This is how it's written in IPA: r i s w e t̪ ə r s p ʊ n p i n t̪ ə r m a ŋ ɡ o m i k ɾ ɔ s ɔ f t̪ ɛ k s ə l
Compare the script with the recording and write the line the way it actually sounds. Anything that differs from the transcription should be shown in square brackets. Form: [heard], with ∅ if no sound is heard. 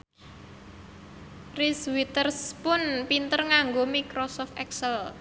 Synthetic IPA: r i s w [i] t̪ ə r s p ʊ n p i n t̪ ə r [ŋ] a ŋ ɡ o m i k ɾ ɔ s ɔ f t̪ ɛ k s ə l